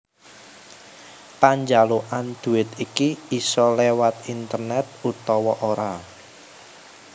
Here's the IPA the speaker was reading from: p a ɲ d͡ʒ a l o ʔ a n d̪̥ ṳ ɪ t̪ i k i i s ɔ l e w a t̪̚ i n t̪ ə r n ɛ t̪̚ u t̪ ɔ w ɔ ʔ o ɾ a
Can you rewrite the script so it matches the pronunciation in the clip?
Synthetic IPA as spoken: p a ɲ d͡ʒ a l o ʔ a n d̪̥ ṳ ɪ t̪ i k i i s ɔ l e w a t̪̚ i n t̪ ə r n ɛ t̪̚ u t̪ ɔ w ɔ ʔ o ɾ a